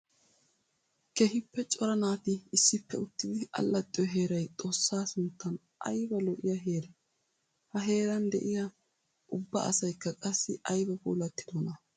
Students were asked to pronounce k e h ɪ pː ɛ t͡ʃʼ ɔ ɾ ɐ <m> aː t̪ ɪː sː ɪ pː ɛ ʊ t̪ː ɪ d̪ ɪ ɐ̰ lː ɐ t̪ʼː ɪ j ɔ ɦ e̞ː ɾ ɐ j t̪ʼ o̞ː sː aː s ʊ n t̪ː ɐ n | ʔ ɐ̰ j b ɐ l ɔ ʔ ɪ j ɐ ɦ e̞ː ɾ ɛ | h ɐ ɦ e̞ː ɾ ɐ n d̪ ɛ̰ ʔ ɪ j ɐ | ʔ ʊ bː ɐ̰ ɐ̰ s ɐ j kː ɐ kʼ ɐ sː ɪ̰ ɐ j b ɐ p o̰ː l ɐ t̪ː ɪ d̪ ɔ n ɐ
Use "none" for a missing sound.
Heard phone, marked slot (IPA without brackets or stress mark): n